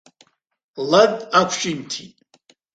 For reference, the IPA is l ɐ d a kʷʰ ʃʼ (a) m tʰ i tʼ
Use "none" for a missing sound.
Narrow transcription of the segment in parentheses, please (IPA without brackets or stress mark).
i